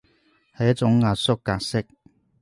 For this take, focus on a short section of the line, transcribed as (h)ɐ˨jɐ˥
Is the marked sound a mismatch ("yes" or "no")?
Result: no